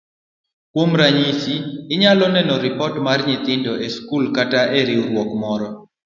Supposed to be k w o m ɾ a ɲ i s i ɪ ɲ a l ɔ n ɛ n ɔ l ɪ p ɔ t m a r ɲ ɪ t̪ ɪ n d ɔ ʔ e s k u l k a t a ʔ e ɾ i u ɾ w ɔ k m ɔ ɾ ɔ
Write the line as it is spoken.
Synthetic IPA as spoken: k w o m ɾ a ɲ i s i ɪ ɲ a l ɔ n ɛ n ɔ ɾ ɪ p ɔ t m a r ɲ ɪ t̪ ɪ n d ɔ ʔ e s k u l k a t a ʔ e ɾ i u ɾ w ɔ k m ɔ ɾ ɔ